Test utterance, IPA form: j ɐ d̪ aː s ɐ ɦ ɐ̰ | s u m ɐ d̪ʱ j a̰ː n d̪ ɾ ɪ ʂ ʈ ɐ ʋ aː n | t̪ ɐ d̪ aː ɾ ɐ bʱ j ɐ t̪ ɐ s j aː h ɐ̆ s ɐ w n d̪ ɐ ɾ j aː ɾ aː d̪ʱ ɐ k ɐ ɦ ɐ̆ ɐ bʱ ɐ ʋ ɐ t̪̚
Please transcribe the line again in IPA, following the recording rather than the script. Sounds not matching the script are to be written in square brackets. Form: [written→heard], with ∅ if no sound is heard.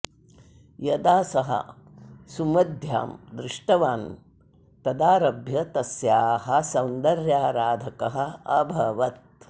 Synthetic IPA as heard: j ɐ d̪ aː s ɐ ɦ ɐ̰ | s u m ɐ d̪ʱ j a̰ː [n→m] d̪ ɾ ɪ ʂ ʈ ɐ ʋ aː n | t̪ ɐ d̪ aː ɾ ɐ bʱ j ɐ t̪ ɐ s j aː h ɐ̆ s ɐ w n d̪ ɐ ɾ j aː ɾ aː d̪ʱ ɐ k ɐ ɦ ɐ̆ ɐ bʱ ɐ ʋ ɐ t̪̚